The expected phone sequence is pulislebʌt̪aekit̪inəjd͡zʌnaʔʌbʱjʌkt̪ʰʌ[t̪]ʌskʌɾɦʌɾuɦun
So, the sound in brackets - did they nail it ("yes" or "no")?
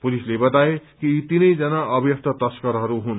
yes